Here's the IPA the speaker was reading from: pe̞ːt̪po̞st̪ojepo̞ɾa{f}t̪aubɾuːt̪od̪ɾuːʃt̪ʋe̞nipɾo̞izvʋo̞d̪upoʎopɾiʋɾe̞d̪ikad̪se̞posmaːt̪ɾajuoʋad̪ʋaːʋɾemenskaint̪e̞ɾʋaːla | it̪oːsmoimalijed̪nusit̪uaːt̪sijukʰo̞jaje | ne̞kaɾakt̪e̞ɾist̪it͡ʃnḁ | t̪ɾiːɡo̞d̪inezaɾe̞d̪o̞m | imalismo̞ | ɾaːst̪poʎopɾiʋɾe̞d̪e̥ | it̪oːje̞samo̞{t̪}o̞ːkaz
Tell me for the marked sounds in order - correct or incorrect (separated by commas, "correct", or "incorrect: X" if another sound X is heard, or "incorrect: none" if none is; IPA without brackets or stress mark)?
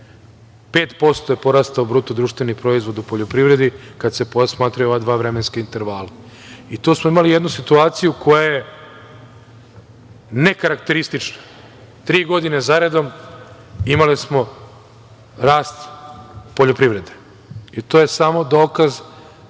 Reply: incorrect: s, incorrect: d̪